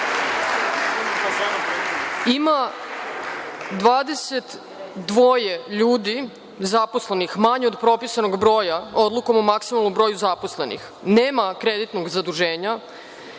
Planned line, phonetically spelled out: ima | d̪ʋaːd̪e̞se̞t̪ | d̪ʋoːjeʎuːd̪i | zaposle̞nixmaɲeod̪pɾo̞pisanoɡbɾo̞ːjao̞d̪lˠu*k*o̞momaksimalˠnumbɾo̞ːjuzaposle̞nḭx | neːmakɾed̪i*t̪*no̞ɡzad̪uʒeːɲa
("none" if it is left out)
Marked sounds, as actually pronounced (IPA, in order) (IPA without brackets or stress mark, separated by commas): k, t̪